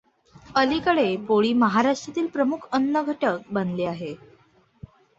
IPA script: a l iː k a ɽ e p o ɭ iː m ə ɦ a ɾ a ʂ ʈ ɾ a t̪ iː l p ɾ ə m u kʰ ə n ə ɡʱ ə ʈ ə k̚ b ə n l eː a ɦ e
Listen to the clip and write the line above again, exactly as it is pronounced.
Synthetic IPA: ə l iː k ə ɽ e p o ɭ iː m ə ɦ a ɾ a ʂ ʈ ɾ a t̪ iː l p ɾ ə m u kʰ ə nː ə ɡʱ ə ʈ ə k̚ b ə n l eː a ɦ e